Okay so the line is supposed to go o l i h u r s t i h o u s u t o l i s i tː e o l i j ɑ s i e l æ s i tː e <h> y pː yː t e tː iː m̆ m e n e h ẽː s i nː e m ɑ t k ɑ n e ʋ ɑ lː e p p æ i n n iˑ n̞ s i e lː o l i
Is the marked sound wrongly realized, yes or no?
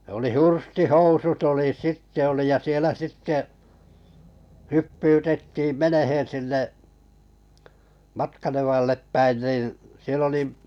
no